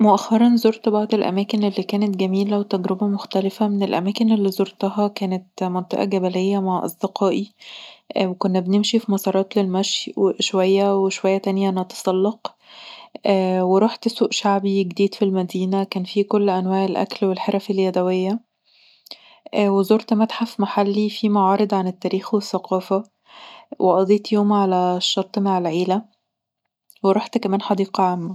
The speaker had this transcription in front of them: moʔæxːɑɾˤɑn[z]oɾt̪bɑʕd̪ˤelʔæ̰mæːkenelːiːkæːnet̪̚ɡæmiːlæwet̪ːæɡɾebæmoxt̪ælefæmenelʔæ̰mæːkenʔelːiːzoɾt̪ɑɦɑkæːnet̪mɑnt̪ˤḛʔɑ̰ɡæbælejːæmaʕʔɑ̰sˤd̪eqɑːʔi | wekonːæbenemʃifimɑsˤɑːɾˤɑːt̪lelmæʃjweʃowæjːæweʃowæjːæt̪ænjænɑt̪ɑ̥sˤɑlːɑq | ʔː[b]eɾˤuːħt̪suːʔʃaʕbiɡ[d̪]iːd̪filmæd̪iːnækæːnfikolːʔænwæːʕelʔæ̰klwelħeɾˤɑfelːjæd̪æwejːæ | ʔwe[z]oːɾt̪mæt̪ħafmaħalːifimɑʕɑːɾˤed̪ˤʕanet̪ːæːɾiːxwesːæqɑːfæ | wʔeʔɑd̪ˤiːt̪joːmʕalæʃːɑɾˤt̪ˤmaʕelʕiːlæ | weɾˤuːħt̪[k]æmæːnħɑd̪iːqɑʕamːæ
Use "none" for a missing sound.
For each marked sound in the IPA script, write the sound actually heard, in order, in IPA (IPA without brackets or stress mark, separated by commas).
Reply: z, w, d̪, z, k